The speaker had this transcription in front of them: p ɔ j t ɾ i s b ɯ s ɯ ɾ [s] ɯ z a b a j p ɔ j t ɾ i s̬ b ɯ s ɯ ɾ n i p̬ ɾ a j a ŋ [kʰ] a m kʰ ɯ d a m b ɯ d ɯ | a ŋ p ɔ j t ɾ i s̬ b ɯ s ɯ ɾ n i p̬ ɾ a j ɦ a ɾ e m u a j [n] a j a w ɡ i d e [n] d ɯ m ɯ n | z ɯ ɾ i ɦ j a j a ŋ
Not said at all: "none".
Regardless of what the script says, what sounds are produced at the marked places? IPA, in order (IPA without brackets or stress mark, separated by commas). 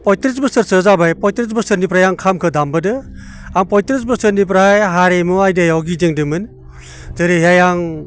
s, kʰ, d, ŋ